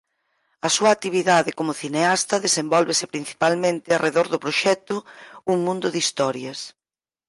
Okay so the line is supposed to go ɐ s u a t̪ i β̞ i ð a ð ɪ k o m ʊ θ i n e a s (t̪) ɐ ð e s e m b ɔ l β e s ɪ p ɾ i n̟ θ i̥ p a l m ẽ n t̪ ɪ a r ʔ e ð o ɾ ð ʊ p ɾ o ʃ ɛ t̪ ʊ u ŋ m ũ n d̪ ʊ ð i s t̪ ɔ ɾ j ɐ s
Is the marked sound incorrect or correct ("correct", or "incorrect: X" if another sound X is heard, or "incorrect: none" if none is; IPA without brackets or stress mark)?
correct